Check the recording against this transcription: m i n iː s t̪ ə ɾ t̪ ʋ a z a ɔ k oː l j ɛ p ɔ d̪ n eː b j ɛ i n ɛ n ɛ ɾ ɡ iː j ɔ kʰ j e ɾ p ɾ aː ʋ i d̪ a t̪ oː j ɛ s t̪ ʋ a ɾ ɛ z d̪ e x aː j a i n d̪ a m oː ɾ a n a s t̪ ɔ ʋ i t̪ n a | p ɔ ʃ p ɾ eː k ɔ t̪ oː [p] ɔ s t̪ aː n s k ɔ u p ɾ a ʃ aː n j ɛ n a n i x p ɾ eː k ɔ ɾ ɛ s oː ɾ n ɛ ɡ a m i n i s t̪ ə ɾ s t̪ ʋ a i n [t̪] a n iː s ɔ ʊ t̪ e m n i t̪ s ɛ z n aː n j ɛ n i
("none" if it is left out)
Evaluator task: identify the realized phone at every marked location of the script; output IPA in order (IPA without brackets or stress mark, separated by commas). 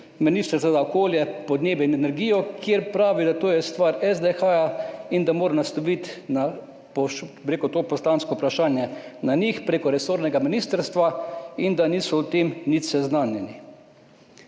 p, d̪